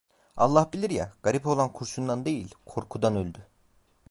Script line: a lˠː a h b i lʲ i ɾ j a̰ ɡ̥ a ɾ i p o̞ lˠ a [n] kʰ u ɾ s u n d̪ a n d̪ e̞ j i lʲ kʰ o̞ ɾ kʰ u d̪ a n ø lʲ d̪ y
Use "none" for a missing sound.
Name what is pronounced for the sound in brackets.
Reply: n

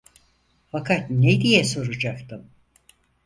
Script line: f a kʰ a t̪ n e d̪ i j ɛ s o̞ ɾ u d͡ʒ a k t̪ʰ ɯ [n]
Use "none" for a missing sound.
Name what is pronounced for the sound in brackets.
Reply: m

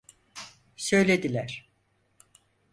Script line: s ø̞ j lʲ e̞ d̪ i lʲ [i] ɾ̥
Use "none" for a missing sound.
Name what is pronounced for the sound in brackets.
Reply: æ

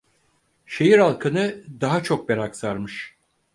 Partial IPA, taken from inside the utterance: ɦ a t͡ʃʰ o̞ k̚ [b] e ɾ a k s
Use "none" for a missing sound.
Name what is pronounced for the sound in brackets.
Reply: b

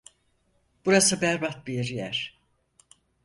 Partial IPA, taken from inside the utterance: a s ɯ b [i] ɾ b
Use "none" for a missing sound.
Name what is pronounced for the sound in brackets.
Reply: æ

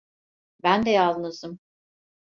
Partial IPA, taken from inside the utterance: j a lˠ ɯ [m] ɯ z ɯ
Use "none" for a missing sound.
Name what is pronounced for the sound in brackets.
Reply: n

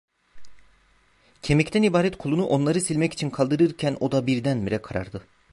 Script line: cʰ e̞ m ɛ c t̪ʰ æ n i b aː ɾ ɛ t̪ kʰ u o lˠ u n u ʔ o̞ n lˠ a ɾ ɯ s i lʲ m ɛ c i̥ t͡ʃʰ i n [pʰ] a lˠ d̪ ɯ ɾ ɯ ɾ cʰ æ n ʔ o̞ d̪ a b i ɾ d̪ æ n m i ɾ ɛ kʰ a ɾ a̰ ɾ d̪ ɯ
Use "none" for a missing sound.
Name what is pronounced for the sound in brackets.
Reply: kʰ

